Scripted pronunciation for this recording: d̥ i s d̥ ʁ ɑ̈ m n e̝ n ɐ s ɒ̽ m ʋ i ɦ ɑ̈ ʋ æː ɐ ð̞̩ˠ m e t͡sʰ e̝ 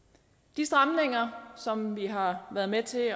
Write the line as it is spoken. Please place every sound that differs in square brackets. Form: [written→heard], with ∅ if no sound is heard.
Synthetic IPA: d̥ i s d̥ ʁ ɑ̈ m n e̝ [n→ŋ] ɐ s ɒ̽ m ʋ i ɦ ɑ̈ ʋ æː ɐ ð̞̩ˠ m e t͡sʰ e̝